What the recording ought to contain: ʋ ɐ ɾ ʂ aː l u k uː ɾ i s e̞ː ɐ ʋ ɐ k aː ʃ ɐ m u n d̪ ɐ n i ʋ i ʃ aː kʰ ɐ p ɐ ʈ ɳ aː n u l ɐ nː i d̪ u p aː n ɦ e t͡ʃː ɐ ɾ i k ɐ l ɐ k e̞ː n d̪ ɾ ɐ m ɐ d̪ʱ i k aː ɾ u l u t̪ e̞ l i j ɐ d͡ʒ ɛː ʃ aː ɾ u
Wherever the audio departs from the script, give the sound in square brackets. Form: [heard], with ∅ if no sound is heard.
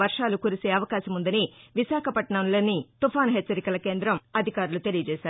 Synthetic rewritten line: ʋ ɐ ɾ ʂ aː l u k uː ɾ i s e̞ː ɐ ʋ ɐ k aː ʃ ɐ m u n d̪ ɐ n i ʋ i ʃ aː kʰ ɐ p ɐ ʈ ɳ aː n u l ɐ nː i [t̪] u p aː n ɦ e t͡ʃː ɐ ɾ i k ɐ l ɐ k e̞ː n d̪ ɾ ɐ m ɐ d̪ʱ i k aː ɾ u l u t̪ e̞ l i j ɐ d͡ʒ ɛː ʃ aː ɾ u

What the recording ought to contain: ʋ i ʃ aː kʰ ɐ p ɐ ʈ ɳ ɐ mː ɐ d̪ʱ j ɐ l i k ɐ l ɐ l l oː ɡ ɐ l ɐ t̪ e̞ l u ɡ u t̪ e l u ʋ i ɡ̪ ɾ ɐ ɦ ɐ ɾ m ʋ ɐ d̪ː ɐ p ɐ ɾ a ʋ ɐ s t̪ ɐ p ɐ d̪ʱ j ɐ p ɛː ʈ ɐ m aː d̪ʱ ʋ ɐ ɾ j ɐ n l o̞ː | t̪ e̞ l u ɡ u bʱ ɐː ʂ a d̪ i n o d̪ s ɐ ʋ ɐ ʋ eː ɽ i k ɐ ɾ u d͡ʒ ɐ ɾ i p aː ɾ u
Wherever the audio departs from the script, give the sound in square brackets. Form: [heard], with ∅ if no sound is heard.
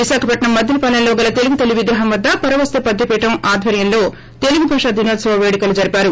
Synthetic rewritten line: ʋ i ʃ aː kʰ ɐ p ɐ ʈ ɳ ɐ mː ɐ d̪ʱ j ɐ l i [p] ɐ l ɐ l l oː ɡ ɐ l ɐ t̪ e̞ l u ɡ u t̪ e l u ʋ i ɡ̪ ɾ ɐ ɦ ɐ [∅] m ʋ ɐ d̪ː ɐ p ɐ ɾ [ɐ] ʋ ɐ s t̪ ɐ p ɐ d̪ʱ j ɐ p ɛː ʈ ɐ m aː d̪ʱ ʋ ɐ ɾ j ɐ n l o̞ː | t̪ e̞ l u ɡ u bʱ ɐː ʂ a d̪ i n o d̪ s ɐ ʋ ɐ ʋ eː ɽ i k ɐ [l] u d͡ʒ ɐ ɾ i p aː ɾ u

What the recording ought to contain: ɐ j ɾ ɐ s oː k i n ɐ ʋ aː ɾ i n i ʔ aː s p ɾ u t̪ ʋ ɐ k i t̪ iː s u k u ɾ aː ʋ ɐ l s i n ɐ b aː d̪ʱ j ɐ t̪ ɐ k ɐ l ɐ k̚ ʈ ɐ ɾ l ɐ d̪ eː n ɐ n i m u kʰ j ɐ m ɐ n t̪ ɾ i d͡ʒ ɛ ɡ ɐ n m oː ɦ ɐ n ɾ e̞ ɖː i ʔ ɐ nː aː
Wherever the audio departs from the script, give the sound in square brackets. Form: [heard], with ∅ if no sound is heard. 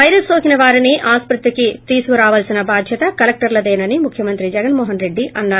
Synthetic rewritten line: ɐ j ɾ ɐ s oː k i n ɐ ʋ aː ɾ i n i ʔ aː s p ɾ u t̪ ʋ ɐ k i t̪ iː s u k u ɾ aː ʋ ɐ l s i n ɐ b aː d̪ʱ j ɐ t̪ ɐ k ɐ l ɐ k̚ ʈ ɐ ɾ l ɐ d̪ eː n ɐ n i m u kʰ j ɐ m ɐ n t̪ ɾ i d͡ʒ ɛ ɡ ɐ n m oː ɦ ɐ n ɾ e̞ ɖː i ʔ ɐ nː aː

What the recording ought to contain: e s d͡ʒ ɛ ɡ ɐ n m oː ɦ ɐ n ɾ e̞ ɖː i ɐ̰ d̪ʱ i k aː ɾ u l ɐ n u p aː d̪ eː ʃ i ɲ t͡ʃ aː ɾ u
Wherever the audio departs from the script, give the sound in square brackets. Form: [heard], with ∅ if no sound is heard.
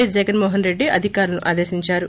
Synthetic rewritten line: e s d͡ʒ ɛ ɡ ɐ n m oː ɦ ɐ n ɾ e̞ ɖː i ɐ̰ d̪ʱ i k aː ɾ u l ɐ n u [ʔ] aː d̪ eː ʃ i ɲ t͡ʃ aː ɾ u

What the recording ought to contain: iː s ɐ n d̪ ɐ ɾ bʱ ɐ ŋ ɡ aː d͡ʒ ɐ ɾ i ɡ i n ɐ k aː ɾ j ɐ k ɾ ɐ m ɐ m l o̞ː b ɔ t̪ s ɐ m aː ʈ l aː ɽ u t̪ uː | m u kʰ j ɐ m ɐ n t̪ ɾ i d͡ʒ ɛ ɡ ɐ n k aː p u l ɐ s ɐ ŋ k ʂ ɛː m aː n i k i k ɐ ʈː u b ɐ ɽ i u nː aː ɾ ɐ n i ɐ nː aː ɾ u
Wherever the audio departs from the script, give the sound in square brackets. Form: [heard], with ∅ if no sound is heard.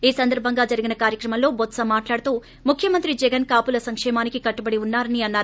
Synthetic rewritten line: iː s ɐ n d̪ ɐ ɾ bʱ ɐ ŋ ɡ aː d͡ʒ ɐ ɾ i ɡ i n ɐ k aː ɾ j ɐ k ɾ ɐ m ɐ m l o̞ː b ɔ t̪ s ɐ m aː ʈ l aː ɽ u t̪ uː | m u kʰ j ɐ m ɐ n t̪ ɾ i d͡ʒ ɛ ɡ ɐ n k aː p u l ɐ s ɐ ŋ k ʂ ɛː m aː n i k i k ɐ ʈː u b ɐ ɽ i u nː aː ɾ ɐ n i ɐ nː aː ɾ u

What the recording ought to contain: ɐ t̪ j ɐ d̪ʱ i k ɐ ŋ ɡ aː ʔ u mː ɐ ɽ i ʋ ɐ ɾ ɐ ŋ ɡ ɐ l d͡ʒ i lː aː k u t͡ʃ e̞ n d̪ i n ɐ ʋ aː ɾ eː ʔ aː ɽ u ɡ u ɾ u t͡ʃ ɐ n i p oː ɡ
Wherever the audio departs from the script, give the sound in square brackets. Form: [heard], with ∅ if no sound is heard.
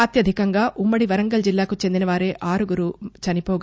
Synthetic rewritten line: ɐ t̪ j ɐ d̪ʱ i k ɐ ŋ ɡ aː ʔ u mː ɐ ɽ i ʋ ɐ ɾ ɐ ŋ ɡ ɐ l d͡ʒ i lː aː k u t͡ʃ e̞ n d̪ i n ɐ ʋ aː ɾ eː ʔ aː [ɾ] u ɡ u ɾ u t͡ʃ ɐ n i p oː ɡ

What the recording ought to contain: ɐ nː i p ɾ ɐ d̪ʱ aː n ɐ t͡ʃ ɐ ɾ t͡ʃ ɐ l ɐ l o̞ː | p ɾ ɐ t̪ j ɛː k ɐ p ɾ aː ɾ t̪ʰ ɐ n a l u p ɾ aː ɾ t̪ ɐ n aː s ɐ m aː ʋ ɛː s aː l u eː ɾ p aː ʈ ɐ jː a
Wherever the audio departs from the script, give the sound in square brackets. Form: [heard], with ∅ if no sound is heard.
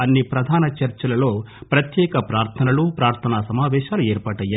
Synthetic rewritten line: ɐ nː i p ɾ ɐ d̪ʱ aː n ɐ t͡ʃ ɐ ɾ t͡ʃ ɐ l ɐ l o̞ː | p ɾ ɐ t̪ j ɛː k ɐ p ɾ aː ɾ t̪ʰ ɐ n [ɐ] l u p ɾ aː ɾ [t̪ʰ] ɐ n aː s ɐ m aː ʋ ɛː [ʃ] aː l u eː ɾ p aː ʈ ɐ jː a

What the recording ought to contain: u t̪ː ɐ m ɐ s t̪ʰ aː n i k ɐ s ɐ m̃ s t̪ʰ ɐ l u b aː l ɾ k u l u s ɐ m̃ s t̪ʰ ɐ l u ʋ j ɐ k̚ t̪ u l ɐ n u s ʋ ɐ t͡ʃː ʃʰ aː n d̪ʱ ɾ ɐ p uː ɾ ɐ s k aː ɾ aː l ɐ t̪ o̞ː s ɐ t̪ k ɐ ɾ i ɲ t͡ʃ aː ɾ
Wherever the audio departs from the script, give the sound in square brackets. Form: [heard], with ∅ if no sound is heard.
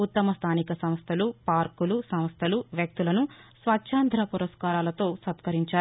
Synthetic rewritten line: u t̪ː ɐ m ɐ s t̪ʰ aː n i k ɐ s ɐ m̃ s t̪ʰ ɐ l u [p] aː [∅] ɾ k u l u s ɐ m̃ s t̪ʰ ɐ l u ʋ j ɐ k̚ t̪ u l ɐ n u s ʋ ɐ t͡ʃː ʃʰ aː n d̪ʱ ɾ ɐ p [u] ɾ ɐ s k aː ɾ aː l ɐ t̪ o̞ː s ɐ t̪ k ɐ ɾ i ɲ t͡ʃ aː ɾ

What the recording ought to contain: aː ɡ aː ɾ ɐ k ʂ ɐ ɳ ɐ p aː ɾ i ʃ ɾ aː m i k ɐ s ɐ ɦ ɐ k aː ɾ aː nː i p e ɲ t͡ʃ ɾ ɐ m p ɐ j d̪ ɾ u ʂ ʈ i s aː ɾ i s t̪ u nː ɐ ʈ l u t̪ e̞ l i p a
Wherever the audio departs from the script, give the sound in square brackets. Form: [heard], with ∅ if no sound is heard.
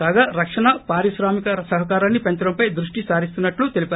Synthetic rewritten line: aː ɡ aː ɾ ɐ k ʂ ɐ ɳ ɐ p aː ɾ i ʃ ɾ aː m i k ɐ s ɐ ɦ ɐ k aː ɾ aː nː i p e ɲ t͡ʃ ɾ ɐ m p ɐ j d̪ ɾ u ʂ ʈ i s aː ɾ i s t̪ u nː ɐ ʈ l u t̪ e̞ l i p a

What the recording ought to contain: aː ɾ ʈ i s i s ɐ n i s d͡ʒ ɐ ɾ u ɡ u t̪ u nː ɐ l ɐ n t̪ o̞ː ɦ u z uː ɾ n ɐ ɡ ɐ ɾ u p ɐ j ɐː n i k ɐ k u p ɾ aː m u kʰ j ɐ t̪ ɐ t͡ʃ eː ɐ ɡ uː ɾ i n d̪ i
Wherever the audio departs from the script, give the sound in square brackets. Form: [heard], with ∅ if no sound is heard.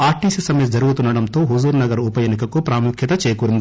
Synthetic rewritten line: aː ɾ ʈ i s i s ɐ [m] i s d͡ʒ ɐ ɾ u ɡ u t̪ u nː ɐ [ɽ] ɐ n t̪ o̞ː ɦ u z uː ɾ n ɐ ɡ ɐ ɾ u p ɐ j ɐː n i k ɐ k u p ɾ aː m u kʰ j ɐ t̪ ɐ t͡ʃ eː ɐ [k] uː ɾ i n d̪ i

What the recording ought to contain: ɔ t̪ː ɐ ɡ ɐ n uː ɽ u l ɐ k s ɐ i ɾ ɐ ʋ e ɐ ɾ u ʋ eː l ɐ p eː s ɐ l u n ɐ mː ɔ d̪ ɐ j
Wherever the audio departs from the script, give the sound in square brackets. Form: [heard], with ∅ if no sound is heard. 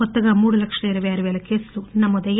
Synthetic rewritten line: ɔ t̪ː ɐ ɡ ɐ [m] uː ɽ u l ɐ k [ʂ] ɐ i ɾ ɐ ʋ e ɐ ɾ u ʋ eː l ɐ [k] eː s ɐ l u n ɐ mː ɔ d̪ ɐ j

